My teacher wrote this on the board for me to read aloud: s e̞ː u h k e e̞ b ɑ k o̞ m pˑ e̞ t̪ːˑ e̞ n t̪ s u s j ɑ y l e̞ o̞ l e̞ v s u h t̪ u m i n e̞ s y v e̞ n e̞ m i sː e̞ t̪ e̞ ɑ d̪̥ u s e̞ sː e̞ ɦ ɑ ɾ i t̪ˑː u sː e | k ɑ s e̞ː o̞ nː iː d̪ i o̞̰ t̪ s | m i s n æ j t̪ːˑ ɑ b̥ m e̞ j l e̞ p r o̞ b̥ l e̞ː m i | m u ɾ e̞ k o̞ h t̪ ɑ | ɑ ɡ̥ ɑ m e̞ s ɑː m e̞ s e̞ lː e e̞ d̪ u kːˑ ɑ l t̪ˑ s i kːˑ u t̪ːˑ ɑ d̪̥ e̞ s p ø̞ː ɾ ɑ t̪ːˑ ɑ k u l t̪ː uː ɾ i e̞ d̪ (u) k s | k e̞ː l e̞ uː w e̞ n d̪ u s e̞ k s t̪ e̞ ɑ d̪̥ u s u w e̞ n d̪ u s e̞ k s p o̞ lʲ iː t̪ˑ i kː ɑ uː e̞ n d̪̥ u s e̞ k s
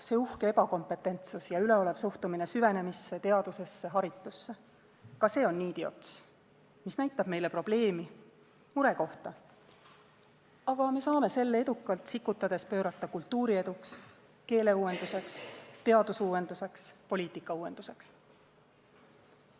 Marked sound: correct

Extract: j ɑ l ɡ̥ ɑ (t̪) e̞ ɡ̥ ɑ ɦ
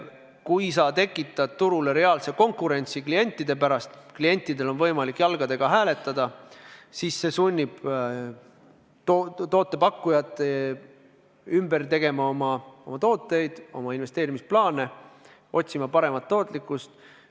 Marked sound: incorrect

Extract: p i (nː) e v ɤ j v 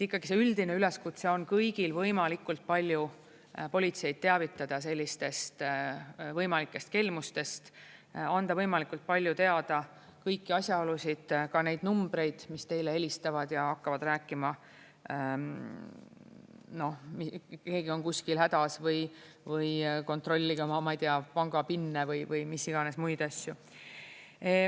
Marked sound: correct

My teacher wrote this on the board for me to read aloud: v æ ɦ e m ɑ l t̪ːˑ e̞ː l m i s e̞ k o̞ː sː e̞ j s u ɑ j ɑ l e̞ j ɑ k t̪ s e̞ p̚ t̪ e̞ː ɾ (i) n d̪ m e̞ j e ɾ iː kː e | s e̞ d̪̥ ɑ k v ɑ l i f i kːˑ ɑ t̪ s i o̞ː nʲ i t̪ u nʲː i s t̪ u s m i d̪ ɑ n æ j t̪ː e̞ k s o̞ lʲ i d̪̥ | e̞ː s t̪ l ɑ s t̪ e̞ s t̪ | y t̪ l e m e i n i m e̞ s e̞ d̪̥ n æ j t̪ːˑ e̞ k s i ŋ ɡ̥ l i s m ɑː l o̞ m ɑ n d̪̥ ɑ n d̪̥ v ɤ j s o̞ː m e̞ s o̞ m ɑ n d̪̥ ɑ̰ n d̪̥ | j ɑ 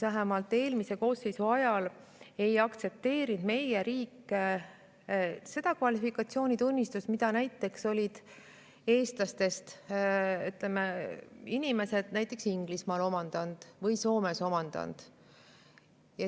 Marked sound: correct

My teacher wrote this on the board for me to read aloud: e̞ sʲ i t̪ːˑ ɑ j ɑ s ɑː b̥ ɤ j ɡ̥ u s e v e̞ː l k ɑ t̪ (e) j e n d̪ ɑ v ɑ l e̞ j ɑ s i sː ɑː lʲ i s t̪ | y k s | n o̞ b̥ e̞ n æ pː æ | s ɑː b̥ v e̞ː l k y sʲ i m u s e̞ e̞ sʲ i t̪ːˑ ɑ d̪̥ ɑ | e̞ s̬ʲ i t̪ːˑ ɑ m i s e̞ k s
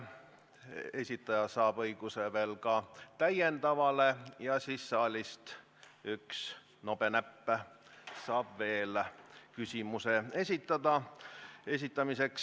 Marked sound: incorrect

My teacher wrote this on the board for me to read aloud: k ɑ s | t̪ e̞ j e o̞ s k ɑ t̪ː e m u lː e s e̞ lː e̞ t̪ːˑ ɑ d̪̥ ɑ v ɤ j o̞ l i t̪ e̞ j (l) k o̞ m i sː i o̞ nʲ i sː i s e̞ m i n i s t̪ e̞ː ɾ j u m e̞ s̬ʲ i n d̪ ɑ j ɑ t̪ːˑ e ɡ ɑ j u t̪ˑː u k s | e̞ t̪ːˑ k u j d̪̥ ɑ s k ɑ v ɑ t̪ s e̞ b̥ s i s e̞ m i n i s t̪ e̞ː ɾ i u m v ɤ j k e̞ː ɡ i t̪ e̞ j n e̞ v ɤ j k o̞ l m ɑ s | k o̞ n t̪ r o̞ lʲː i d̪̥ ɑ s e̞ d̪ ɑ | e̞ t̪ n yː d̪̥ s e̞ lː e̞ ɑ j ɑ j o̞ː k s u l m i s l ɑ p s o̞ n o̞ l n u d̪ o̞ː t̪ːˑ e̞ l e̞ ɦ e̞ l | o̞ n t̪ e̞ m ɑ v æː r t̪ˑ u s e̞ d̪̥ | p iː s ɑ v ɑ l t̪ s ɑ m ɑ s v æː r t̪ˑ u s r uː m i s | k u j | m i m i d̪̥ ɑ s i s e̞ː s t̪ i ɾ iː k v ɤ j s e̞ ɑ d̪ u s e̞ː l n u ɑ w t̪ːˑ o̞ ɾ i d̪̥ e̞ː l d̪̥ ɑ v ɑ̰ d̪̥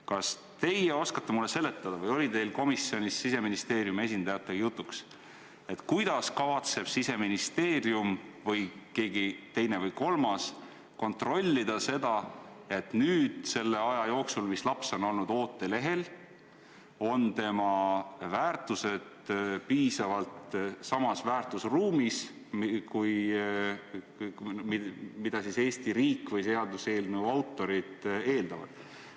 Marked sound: correct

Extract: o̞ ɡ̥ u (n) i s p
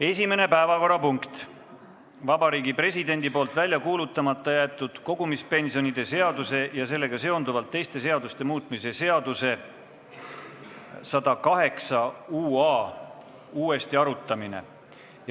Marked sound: incorrect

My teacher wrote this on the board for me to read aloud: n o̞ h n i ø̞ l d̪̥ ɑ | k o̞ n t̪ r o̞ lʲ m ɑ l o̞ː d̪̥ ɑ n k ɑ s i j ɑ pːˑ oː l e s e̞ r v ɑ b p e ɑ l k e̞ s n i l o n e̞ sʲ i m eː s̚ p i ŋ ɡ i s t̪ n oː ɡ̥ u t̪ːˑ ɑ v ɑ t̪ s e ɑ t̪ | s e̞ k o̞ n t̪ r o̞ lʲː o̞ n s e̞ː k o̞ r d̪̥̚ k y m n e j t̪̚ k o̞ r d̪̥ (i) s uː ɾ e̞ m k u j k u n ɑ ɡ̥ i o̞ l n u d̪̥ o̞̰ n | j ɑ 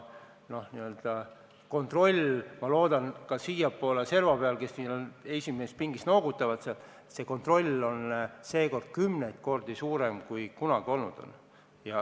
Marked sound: correct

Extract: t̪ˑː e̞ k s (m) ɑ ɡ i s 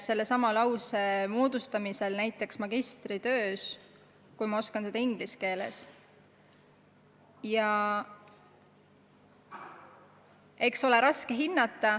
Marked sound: correct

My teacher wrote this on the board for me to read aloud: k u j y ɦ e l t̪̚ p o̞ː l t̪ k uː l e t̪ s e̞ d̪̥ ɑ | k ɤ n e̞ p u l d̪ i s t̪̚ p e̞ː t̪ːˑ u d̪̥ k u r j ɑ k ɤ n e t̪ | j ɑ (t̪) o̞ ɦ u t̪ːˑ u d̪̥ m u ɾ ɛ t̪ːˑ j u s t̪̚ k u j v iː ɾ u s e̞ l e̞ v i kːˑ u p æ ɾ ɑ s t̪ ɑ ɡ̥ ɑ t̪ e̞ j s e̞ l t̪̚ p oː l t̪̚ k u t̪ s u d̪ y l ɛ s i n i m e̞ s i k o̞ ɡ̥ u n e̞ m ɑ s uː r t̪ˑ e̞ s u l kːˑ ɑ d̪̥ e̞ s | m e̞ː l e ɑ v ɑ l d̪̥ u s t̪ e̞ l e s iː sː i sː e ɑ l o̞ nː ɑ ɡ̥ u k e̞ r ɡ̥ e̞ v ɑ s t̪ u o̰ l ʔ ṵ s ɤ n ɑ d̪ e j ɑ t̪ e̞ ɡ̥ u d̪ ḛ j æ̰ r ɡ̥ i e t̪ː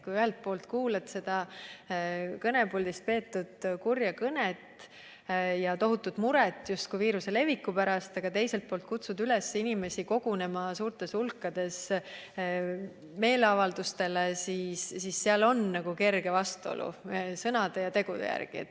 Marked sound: correct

